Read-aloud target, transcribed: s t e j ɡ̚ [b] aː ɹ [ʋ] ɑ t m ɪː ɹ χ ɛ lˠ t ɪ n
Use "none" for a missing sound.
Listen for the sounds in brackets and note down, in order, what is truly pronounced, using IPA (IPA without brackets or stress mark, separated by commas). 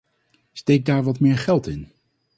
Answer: d, ʋ